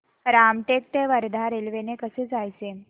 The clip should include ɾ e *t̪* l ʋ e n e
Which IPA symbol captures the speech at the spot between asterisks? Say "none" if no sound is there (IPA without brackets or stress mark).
none